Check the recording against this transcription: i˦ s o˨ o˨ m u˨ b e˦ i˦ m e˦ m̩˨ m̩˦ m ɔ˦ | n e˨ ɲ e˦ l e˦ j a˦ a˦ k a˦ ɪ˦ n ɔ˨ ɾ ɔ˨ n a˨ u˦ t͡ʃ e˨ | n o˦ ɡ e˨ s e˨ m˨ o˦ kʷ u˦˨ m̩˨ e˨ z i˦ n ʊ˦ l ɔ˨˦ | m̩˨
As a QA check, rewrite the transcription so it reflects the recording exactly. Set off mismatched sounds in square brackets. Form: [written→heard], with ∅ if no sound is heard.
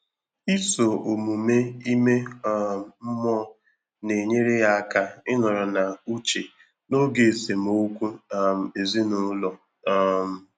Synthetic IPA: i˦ s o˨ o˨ m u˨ [b→m] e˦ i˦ m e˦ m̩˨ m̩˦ m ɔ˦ | n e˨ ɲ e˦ [l→ɾ] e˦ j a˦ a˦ k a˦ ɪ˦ n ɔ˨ ɾ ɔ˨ n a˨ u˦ t͡ʃ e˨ | n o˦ ɡ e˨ s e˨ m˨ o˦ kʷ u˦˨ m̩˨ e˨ z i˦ n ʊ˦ l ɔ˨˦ | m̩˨